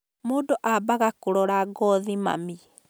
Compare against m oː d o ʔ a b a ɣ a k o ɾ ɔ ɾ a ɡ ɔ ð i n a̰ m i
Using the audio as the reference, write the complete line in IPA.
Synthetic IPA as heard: m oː d o ʔ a b a ɣ a k o ɾ ɔ ɾ a ɡ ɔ ð i m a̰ m i